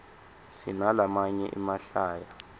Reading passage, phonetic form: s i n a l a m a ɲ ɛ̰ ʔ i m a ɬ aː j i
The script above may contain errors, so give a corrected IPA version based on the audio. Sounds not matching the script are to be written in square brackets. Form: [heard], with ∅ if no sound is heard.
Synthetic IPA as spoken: s i n a l a m a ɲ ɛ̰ ʔ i m a ɬ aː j [a]